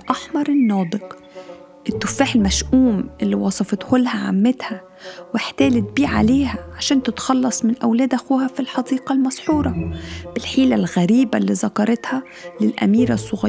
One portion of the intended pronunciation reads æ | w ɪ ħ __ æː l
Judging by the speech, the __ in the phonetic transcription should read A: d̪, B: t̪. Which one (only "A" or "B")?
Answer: B